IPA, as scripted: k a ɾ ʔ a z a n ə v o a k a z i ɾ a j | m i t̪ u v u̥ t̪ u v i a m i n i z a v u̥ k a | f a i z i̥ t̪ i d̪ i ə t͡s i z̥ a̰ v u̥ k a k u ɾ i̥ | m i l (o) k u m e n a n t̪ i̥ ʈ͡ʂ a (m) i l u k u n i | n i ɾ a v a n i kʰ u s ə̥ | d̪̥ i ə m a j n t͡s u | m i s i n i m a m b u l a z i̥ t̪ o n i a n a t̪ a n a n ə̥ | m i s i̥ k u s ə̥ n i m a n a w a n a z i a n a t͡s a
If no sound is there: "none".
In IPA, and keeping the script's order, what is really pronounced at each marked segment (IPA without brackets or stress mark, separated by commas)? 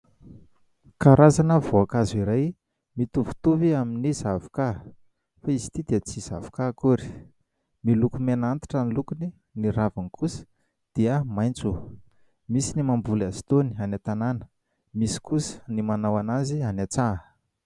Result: u, n